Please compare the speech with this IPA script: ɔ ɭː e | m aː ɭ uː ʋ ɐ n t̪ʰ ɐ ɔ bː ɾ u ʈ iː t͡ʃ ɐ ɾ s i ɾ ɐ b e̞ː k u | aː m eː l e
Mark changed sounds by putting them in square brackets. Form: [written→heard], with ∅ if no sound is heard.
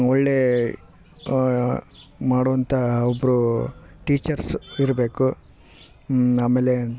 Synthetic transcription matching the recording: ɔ ɭː e | m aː [ɭ→ɽ] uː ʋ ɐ n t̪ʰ ɐ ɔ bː ɾ u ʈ iː t͡ʃ ɐ ɾ s i ɾ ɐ b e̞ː k u | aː m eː l e

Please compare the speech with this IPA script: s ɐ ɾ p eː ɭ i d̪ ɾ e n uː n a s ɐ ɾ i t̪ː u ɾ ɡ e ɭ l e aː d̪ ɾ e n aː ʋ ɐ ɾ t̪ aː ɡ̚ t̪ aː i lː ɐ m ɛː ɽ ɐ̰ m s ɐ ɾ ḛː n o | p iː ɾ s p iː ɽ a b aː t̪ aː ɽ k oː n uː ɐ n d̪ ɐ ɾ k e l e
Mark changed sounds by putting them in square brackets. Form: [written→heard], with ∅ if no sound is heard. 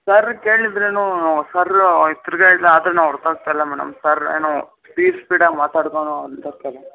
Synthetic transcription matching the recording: s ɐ ɾ [p→k] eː ɭ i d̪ ɾ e n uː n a s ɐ ɾ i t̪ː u ɾ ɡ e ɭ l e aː d̪ ɾ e n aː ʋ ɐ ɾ t̪ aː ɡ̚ t̪ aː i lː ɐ m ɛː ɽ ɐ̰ m s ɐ ɾ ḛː n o | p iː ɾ s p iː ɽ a [b→m] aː t̪ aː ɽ k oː n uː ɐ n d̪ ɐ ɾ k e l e

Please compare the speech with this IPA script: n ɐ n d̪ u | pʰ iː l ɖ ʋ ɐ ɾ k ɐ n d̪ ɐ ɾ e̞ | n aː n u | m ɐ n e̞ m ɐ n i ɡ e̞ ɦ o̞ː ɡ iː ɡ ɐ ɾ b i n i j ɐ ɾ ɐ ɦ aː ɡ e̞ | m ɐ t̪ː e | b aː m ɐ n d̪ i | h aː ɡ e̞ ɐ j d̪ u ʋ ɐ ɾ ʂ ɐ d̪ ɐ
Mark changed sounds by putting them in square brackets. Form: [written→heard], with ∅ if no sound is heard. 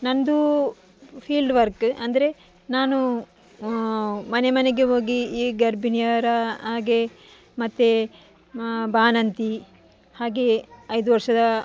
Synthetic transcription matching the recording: n ɐ n d̪ u | pʰ iː l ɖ ʋ ɐ ɾ k ɐ n d̪ ɐ ɾ e̞ | n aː n u | m ɐ n e̞ m ɐ n [i→e] ɡ e̞ ɦ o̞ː ɡ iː ɡ ɐ ɾ b i n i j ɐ ɾ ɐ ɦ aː ɡ e̞ | m ɐ t̪ː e | b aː [m→n] ɐ n [d̪→t̪] i | h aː ɡ e̞ ɐ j d̪ u ʋ ɐ ɾ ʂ ɐ d̪ ɐ

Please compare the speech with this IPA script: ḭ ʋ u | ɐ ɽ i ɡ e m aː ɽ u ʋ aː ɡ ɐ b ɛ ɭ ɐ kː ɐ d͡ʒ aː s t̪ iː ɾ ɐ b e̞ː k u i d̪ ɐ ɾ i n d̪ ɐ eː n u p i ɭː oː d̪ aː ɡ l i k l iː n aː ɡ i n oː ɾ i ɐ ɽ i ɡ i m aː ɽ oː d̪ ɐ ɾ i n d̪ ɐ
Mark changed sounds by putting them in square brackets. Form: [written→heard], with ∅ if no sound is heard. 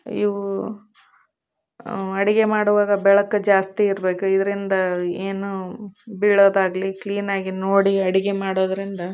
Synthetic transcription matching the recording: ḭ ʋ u | ɐ ɽ i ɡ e m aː ɽ u ʋ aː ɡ ɐ b ɛ ɭ ɐ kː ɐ d͡ʒ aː s t̪ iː ɾ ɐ b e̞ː k u i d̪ ɐ ɾ i n d̪ ɐ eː n u [p→b] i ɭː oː d̪ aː ɡ l i k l iː n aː ɡ i n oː [ɾ→ɽ] i ɐ ɽ i ɡ [i→e] m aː ɽ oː d̪ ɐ ɾ i n d̪ ɐ

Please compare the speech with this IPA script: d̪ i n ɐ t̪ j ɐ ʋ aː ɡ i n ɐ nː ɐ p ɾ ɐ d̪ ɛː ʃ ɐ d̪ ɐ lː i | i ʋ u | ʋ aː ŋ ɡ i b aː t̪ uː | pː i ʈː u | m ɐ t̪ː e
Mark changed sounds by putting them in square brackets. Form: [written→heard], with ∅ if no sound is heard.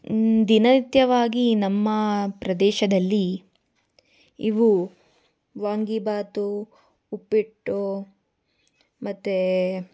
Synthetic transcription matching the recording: d̪ i n ɐ t̪ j ɐ ʋ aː ɡ i n ɐ [nː→mː] ɐ p ɾ ɐ d̪ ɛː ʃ ɐ d̪ ɐ lː i | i ʋ u | ʋ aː ŋ ɡ i b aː t̪ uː | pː i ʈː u | m ɐ t̪ː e

